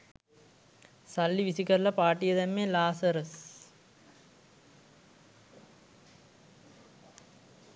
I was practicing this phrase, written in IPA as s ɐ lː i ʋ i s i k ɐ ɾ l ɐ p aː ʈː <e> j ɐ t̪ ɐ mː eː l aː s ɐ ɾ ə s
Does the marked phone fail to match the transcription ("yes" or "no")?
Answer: yes